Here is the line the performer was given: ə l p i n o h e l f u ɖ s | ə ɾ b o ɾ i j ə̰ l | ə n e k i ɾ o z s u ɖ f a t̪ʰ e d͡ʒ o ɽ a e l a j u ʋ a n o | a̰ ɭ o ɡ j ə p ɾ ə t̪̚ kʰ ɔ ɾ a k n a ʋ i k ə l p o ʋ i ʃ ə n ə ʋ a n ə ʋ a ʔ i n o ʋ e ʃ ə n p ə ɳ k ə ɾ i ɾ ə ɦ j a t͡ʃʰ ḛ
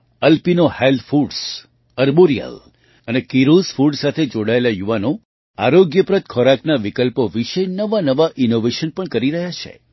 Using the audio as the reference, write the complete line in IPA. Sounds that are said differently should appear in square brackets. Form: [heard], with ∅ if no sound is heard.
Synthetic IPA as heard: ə l p i n o h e l f u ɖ s | ə ɾ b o ɾ i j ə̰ l | ə n e k i ɾ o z [f] u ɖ [s] a t̪ʰ e d͡ʒ o ɽ a e l a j u ʋ a n o | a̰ [ɾ] o ɡ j ə p ɾ ə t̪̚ kʰ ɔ ɾ a k n a ʋ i k ə l p o ʋ i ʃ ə n ə ʋ a n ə ʋ a ʔ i n o ʋ e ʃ ə n p ə ɳ k ə ɾ i ɾ ə ɦ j a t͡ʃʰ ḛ

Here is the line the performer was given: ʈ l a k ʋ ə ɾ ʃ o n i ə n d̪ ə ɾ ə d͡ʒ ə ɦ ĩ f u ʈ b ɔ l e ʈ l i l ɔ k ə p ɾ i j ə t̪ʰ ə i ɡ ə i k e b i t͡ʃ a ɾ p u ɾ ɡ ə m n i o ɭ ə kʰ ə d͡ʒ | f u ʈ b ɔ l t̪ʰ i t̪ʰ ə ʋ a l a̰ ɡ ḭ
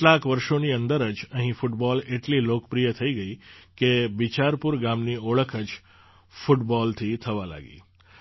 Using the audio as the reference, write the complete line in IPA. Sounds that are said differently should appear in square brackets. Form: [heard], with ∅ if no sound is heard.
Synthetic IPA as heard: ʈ l a k ʋ ə ɾ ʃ o n i ə n d̪ ə ɾ ə d͡ʒ ə ɦ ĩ f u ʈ b ɔ l e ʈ l i l [o] k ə p ɾ i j ə t̪ʰ ə i ɡ ə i k e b i t͡ʃ a ɾ p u ɾ ɡ [a] m n i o ɭ ə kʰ ə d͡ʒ | f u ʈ b ɔ l t̪ʰ i t̪ʰ ə ʋ a l a̰ ɡ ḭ

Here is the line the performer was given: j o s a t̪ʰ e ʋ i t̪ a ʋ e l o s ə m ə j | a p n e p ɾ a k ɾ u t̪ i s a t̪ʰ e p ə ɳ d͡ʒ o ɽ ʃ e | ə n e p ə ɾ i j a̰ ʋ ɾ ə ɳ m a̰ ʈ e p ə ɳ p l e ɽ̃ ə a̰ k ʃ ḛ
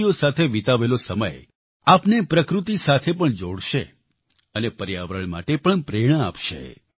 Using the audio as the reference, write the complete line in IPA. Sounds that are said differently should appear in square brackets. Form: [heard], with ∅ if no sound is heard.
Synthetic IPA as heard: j o s a t̪ʰ e ʋ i t̪ a ʋ e l o s ə m ə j | a p n e p ɾ [ə] k ɾ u t̪ i s a t̪ʰ e p ə ɳ d͡ʒ o ɽ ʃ e | ə n e p ə ɾ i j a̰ ʋ ɾ ə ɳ m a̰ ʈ e p ə ɳ p [ɾ] e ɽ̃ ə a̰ [p] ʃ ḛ

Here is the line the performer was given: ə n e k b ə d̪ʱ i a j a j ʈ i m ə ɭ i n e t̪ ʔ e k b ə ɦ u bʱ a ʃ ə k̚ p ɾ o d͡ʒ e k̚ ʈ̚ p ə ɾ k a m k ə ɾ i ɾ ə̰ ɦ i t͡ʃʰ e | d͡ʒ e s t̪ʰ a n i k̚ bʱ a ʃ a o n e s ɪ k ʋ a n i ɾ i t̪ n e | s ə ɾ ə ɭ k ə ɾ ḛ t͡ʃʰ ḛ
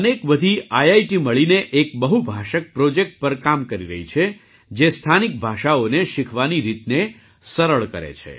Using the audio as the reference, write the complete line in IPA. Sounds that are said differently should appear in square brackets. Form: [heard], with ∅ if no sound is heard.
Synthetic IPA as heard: ə n e k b ə d̪ʱ i a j a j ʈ i m ə ɭ i n e [∅] ʔ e k b ə ɦ u bʱ a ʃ ə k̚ p ɾ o d͡ʒ e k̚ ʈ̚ p ə ɾ k a m k ə ɾ i ɾ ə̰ ɦ i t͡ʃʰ e | d͡ʒ e s t̪ʰ a n i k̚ bʱ a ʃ a o n e [ʃ] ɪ [kʰ] ʋ a n i ɾ i t̪ n e | s ə ɾ ə ɭ k ə ɾ ḛ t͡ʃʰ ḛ

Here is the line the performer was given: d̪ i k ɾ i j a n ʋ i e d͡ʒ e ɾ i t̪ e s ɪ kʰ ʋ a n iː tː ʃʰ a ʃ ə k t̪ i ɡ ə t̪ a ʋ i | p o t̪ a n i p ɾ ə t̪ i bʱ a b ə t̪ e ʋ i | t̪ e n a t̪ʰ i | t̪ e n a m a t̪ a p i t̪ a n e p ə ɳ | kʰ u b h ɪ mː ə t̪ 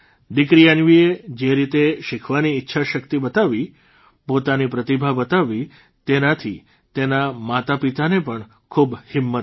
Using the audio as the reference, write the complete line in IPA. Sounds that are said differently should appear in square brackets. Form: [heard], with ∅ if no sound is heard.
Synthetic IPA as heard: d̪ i k ɾ i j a n ʋ i e d͡ʒ e ɾ i t̪ e [ʃ] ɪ kʰ ʋ a n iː tː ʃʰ a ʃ ə k t̪ i [b] ə t̪ a ʋ i | p o t̪ a n i p ɾ ə t̪ i bʱ a b ə t̪ [a] ʋ i | t̪ e n a t̪ʰ i | t̪ e n a m a t̪ a p i t̪ a n e p ə ɳ | kʰ u b h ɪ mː ə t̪

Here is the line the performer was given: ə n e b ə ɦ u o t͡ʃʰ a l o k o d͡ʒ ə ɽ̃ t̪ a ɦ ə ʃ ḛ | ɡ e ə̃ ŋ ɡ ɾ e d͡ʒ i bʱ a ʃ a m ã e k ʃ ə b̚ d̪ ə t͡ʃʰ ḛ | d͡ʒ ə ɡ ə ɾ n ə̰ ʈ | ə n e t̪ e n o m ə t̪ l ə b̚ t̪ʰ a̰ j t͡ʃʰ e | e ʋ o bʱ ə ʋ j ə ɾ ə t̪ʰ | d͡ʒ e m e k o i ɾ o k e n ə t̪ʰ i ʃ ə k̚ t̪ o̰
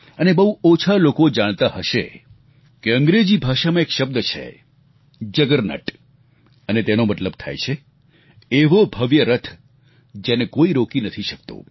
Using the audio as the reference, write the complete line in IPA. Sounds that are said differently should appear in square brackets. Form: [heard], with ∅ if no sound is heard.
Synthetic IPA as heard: ə n e b ə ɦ u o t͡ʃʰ a l o k o d͡ʒ [a] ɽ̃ t̪ a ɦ ə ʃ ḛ | [k] e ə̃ ŋ ɡ ɾ e d͡ʒ i bʱ a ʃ a m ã e k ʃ ə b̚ d̪ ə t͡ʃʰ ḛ | d͡ʒ ə ɡ ə ɾ n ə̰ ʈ | ə n e t̪ e n o m ə t̪ l ə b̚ t̪ʰ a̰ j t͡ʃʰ e | e ʋ o bʱ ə ʋ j ə ɾ ə t̪ʰ | d͡ʒ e [n] e k o i ɾ o k [i] n ə t̪ʰ i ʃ ə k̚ t̪ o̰

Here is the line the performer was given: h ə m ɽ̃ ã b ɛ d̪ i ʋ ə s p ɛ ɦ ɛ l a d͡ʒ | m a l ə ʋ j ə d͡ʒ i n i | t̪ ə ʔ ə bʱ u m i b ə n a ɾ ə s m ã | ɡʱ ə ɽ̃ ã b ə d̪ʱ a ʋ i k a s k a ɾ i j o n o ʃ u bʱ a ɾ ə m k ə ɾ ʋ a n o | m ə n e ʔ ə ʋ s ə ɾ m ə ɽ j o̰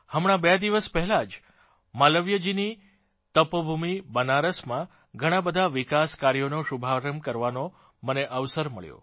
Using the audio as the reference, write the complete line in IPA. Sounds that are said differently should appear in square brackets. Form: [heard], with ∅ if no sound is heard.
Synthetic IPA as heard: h ə m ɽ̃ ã b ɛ d̪ i ʋ ə s p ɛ ɦ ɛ l a d͡ʒ | m a l ə ʋ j ə d͡ʒ i n i | t̪ ə [p] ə bʱ u m i b ə n a ɾ ə s m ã | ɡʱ ə ɽ̃ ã b ə d̪ʱ a ʋ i k a s k a ɾ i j o n o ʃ u bʱ a ɾ ə m k ə ɾ ʋ a n o | m ə n e ʔ ə ʋ s ə ɾ m ə [ɭ] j o̰

